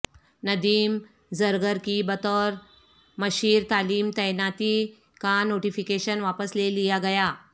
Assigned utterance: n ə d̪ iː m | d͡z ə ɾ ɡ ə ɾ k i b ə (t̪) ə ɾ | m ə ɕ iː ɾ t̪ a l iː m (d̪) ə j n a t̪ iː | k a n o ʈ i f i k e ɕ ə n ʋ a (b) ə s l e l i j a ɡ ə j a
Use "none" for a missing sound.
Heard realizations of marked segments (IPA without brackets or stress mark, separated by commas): t̪, t̪, p